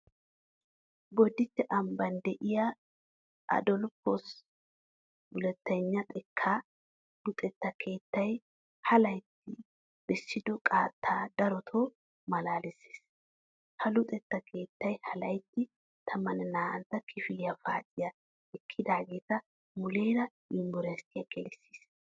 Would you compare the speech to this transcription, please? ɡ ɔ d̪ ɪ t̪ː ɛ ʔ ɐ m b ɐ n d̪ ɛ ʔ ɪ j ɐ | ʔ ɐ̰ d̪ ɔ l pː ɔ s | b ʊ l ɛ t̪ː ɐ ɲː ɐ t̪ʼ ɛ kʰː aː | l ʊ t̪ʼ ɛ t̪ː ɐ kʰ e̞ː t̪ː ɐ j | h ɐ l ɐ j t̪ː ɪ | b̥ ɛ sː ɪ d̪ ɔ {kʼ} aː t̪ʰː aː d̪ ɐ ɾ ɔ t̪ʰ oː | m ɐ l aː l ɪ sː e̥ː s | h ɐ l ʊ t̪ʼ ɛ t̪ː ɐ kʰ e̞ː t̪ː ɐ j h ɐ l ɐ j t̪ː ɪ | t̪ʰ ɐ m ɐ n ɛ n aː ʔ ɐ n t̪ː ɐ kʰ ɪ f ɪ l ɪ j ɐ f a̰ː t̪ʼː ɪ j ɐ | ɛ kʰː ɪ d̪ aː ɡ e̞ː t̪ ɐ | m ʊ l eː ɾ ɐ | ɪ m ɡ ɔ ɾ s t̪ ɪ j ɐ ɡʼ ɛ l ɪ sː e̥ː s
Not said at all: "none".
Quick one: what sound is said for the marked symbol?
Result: kʼ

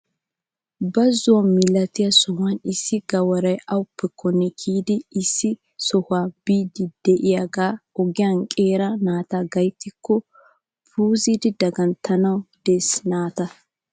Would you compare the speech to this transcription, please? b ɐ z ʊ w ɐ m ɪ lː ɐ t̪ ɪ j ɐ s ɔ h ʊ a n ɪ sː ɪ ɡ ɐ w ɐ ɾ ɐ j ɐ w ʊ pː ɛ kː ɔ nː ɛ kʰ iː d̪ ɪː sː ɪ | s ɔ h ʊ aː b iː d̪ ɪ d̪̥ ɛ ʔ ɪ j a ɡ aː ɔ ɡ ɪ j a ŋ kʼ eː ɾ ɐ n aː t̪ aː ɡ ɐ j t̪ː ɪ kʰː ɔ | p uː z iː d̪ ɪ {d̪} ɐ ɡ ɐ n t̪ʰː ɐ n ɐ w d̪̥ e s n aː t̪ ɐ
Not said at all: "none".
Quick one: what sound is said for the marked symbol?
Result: d̪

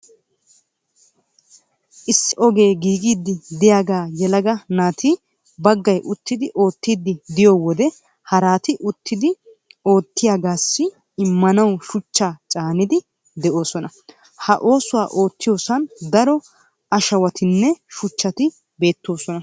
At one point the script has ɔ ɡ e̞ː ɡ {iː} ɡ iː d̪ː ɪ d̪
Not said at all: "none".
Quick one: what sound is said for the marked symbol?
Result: iː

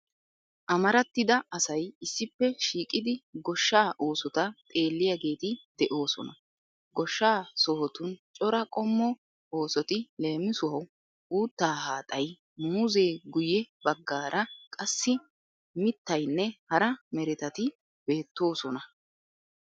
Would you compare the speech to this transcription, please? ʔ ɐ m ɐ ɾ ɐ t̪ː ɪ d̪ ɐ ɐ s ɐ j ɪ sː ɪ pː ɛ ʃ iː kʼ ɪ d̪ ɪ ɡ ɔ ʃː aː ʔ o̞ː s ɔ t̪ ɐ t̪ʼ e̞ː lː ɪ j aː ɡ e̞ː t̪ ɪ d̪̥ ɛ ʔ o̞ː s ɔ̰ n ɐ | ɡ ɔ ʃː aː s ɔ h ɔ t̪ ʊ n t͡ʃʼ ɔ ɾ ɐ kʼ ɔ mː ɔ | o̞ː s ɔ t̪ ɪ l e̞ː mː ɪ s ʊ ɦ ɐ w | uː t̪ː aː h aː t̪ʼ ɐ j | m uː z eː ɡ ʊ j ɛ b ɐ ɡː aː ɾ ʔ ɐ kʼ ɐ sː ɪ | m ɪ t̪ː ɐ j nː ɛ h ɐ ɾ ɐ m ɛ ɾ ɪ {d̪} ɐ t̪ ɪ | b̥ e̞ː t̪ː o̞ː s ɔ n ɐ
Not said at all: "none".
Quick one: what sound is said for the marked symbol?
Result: t̪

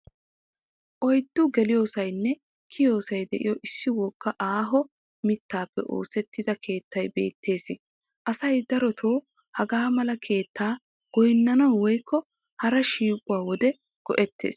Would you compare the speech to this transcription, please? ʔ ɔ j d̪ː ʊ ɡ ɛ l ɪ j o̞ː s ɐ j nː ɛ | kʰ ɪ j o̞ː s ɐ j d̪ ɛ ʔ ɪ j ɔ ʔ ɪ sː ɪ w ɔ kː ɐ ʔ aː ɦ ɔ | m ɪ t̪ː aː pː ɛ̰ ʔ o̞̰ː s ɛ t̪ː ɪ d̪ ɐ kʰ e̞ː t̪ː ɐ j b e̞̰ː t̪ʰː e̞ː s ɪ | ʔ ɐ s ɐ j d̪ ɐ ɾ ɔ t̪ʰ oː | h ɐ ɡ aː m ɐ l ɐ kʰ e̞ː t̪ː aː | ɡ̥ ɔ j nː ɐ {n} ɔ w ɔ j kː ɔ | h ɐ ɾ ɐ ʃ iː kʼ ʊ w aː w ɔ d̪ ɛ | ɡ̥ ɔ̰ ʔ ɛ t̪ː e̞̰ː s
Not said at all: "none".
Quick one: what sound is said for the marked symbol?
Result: n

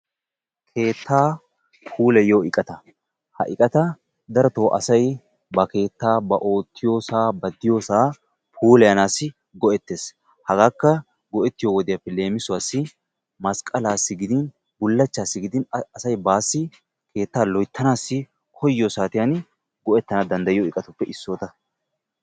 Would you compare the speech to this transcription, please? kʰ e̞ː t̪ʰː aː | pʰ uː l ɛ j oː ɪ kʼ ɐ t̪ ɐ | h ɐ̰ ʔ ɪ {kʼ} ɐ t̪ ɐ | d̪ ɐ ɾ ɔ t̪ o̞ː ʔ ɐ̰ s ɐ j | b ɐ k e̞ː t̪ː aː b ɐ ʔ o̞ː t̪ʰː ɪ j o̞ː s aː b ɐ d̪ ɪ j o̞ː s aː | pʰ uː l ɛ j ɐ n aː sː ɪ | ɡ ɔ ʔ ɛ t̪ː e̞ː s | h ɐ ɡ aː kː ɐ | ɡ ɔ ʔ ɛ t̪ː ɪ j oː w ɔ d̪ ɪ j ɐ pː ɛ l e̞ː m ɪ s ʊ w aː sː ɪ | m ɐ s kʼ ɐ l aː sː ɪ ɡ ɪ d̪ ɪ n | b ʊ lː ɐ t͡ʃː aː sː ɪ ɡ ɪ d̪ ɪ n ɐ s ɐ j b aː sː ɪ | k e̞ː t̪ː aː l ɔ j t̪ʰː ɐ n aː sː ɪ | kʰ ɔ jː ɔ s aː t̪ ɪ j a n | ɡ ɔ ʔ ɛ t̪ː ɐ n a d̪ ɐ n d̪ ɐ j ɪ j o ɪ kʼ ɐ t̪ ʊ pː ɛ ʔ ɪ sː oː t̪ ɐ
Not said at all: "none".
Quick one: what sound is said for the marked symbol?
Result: kʼ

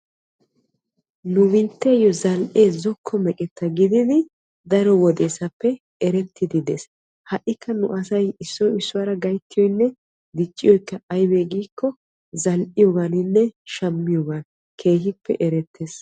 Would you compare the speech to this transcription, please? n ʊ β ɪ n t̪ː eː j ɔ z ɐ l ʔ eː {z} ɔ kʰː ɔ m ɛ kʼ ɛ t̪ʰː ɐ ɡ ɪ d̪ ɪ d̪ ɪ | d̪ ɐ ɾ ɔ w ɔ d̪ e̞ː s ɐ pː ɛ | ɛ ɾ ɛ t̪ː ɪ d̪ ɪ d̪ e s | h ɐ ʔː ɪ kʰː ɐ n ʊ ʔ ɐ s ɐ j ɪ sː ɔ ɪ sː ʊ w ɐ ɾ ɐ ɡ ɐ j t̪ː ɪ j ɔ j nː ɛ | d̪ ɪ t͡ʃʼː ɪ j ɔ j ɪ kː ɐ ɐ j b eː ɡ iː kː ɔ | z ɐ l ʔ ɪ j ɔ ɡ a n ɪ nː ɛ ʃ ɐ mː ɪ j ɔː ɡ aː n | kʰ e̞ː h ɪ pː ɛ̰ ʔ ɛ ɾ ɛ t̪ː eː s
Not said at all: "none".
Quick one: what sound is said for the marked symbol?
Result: z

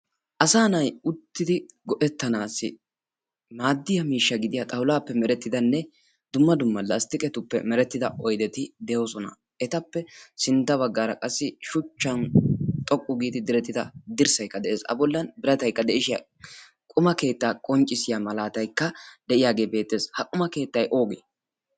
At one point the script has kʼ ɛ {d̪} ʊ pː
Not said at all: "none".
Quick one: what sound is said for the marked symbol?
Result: t̪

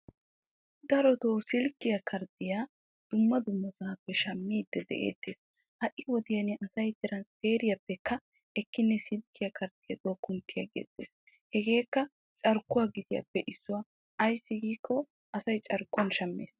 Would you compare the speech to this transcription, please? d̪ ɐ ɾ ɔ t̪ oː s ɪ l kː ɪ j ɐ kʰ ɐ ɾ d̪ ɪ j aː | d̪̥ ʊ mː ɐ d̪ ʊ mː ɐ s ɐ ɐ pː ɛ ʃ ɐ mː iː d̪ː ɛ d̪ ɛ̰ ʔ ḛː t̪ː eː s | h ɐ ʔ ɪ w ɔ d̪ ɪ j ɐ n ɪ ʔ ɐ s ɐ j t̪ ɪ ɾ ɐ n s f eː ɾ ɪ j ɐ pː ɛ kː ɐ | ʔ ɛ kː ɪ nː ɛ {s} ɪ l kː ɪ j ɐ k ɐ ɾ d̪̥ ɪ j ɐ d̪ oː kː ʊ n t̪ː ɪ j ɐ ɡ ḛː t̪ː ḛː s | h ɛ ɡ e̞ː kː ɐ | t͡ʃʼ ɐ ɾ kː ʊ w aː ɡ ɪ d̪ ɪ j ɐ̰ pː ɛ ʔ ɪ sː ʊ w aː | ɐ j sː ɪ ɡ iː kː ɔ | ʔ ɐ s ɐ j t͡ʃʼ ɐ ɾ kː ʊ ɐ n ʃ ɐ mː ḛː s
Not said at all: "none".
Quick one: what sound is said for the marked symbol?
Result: s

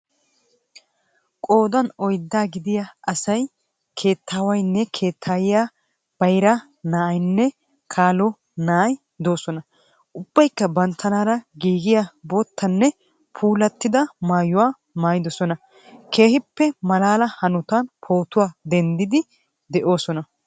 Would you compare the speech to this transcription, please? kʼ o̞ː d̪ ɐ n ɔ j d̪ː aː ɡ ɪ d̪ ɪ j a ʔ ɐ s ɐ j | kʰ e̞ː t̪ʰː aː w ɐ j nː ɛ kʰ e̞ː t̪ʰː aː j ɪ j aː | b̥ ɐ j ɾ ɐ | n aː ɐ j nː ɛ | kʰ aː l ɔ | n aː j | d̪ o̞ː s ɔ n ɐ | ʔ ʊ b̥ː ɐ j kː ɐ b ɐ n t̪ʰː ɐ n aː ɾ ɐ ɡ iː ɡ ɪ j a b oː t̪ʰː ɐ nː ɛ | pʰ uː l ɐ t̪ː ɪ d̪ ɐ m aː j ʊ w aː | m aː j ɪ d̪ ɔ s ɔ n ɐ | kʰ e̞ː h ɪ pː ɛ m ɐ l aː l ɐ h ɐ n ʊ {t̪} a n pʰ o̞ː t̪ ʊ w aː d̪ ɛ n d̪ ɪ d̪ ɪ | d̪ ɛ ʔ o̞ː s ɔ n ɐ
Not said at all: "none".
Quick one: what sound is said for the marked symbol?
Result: t̪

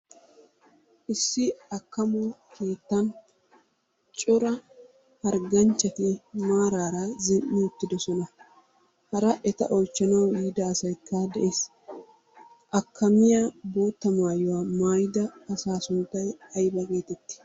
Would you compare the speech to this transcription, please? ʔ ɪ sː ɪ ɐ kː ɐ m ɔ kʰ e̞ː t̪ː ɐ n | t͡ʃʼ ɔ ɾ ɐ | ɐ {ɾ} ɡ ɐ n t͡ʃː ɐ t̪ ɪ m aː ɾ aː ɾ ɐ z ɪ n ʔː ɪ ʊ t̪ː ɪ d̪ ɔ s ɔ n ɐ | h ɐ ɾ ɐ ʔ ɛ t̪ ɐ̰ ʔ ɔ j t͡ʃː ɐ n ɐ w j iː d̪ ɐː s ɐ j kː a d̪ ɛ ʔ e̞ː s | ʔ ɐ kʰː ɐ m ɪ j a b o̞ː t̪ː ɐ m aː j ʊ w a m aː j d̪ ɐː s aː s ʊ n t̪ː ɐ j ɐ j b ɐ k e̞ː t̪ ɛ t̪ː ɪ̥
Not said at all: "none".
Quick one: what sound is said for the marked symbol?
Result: ɾ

